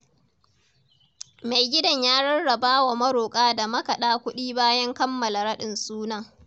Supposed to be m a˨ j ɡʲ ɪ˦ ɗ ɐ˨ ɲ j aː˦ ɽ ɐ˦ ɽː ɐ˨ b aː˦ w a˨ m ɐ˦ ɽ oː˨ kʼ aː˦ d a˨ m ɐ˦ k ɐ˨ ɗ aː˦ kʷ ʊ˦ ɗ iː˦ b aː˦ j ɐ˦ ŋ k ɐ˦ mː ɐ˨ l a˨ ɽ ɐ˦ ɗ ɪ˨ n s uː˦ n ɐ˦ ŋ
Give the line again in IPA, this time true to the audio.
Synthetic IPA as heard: m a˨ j ɡʲ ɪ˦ d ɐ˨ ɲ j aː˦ ɽ ɐ˦ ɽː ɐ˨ b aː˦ w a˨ m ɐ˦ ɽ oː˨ kʼ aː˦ d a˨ m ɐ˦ k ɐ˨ ɗ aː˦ kʷ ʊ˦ ɗ iː˦ b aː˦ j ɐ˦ ŋ k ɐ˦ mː ɐ˨ l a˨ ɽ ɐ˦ ɗ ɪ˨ n s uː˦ n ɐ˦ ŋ